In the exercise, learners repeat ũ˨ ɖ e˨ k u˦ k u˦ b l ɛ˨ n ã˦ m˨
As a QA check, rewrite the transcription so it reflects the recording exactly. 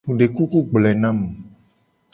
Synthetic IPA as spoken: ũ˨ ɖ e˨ k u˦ k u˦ ɡ͡b l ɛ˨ n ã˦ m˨